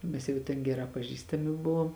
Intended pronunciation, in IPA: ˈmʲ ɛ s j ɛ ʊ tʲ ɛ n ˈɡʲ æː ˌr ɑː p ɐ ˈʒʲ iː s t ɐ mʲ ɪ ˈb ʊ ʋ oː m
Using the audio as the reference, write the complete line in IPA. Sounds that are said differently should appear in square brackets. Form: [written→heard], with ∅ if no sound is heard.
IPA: ˈmʲ ɛ s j ɛ ʊ tʲ ɛ n ˈɡʲ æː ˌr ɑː p ɐ ˈʒʲ iː s t ɐ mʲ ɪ ˈb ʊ ʋ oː m